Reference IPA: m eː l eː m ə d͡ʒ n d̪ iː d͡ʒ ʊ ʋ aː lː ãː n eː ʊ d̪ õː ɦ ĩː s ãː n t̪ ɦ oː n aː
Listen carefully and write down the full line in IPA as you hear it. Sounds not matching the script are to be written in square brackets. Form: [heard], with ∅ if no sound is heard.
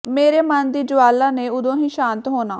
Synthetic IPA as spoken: m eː [ɾ] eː m ə [∅] n d̪ iː d͡ʒ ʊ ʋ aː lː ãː n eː ʊ d̪ õː ɦ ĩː [ʃ] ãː n t̪ ɦ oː n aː